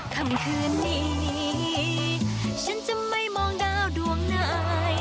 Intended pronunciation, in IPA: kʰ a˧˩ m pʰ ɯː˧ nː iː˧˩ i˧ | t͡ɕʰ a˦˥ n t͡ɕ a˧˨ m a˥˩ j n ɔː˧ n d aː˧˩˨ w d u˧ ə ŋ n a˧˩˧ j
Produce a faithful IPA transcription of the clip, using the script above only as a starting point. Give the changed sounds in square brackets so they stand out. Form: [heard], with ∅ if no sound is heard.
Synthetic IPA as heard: kʰ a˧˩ m [kʰ] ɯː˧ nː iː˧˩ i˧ | t͡ɕʰ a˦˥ n t͡ɕ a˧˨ m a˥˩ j [m] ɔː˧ [ŋ] d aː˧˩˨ w d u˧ ə ŋ n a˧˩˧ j